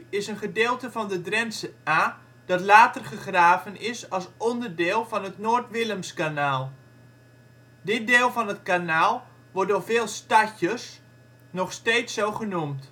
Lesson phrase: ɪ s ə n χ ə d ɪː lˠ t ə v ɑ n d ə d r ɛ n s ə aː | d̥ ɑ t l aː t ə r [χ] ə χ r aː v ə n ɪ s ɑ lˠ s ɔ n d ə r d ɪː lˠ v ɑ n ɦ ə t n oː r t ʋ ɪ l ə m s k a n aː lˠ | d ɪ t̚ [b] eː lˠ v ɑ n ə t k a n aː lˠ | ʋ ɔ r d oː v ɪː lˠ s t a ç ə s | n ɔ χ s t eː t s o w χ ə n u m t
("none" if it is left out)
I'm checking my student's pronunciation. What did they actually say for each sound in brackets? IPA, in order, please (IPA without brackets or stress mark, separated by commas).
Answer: χ, d